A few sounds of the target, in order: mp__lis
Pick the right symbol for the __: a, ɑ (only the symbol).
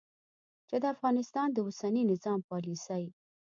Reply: ɑ